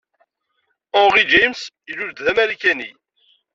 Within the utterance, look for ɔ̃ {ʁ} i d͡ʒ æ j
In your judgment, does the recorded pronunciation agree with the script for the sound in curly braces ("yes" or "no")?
yes